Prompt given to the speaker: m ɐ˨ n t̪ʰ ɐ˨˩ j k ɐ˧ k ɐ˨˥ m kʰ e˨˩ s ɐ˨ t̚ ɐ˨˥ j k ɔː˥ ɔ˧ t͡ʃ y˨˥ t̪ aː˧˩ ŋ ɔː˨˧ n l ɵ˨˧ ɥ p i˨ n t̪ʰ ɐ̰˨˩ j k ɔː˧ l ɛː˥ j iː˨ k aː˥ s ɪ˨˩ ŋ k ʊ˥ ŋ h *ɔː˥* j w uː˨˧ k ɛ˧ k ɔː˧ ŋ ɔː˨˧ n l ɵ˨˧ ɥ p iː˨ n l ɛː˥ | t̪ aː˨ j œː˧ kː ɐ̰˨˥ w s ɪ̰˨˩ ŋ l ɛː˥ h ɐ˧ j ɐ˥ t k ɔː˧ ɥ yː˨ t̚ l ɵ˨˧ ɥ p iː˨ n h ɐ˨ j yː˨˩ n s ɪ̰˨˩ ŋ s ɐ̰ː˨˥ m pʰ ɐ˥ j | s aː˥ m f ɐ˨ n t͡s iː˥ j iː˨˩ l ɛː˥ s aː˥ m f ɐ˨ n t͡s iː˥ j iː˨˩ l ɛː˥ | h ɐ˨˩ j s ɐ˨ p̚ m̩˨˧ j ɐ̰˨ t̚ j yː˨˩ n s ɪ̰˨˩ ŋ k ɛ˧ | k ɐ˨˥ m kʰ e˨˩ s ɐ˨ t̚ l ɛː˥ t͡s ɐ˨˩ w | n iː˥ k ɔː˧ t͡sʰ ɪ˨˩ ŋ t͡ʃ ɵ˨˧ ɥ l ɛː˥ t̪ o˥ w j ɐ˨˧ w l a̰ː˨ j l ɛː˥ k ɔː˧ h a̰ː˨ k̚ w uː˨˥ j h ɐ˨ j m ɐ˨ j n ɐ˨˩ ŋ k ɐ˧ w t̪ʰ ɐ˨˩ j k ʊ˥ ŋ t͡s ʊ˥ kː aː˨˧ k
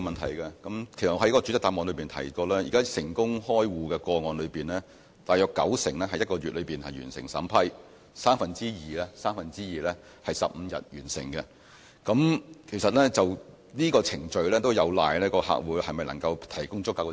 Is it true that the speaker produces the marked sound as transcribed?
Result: yes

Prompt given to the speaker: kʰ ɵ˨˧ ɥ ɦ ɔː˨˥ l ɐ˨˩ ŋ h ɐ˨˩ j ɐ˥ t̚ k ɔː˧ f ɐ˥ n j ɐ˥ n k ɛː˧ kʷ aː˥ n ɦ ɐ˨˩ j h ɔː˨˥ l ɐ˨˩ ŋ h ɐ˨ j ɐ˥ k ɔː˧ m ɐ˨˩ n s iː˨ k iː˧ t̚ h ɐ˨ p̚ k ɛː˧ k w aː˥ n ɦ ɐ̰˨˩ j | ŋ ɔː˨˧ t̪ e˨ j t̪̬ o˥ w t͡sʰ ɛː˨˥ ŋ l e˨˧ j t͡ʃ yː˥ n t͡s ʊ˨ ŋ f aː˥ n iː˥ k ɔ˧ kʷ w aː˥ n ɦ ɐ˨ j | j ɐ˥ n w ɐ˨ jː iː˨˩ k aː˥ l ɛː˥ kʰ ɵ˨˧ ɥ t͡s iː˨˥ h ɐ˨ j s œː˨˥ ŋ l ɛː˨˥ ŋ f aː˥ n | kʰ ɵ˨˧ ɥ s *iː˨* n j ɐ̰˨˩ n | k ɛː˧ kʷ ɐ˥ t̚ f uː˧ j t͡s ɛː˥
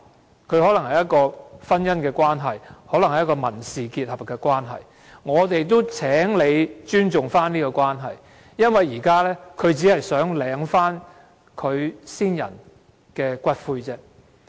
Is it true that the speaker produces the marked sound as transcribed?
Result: no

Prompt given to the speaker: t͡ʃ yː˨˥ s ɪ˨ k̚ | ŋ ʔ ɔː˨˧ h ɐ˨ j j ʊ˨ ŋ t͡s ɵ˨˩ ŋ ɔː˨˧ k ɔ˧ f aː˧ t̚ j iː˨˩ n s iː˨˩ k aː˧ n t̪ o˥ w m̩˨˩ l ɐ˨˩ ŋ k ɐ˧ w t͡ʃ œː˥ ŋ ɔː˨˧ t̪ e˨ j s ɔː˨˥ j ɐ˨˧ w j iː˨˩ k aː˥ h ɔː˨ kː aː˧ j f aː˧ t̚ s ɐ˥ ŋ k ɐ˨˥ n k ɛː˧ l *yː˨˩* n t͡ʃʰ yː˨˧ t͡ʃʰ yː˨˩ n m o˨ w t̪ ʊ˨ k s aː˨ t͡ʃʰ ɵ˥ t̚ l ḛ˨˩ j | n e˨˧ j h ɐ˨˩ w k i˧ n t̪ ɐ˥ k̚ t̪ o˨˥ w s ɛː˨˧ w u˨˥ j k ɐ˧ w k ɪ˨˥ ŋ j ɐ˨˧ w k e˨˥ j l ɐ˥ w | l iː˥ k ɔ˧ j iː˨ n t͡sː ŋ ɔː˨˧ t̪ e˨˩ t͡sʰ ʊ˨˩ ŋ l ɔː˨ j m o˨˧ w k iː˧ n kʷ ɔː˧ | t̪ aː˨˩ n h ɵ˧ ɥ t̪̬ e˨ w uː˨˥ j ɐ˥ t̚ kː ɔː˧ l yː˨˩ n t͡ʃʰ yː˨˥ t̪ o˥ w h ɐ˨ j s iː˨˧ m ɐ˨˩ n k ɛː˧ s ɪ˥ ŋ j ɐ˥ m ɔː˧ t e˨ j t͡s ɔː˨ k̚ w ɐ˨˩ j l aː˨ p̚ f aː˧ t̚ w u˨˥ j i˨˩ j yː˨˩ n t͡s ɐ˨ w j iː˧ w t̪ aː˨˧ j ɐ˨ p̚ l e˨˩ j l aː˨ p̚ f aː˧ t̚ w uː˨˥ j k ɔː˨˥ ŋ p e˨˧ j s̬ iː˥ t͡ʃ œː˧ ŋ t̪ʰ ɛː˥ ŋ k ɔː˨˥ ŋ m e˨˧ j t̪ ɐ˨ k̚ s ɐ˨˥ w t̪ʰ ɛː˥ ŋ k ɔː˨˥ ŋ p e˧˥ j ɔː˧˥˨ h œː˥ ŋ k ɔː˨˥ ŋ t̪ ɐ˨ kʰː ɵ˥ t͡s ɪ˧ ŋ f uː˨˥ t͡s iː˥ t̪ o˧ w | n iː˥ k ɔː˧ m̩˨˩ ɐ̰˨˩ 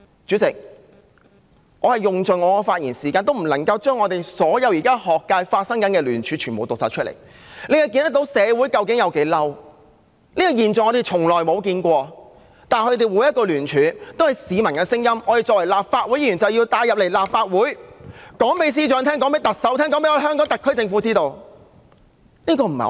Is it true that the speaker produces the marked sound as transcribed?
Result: yes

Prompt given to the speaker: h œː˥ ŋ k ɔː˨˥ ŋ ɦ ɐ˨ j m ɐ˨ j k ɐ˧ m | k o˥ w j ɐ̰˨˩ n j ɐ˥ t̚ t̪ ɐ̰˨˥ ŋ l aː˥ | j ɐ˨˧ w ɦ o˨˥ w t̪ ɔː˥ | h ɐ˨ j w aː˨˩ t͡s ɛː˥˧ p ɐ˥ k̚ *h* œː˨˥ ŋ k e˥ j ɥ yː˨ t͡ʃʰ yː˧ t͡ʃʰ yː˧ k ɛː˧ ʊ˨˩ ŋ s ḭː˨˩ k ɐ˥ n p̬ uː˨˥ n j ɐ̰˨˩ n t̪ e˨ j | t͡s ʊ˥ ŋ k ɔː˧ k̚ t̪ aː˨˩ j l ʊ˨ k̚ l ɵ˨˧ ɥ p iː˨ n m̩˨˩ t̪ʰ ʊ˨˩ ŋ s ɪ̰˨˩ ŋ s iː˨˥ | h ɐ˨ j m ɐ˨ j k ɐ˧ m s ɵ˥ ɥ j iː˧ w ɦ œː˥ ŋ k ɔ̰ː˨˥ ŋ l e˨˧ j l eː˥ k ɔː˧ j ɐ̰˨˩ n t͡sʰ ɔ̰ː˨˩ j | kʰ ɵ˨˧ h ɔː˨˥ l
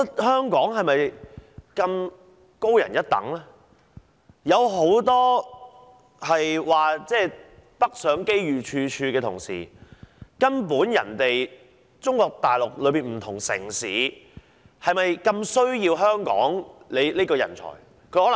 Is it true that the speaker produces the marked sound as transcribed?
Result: no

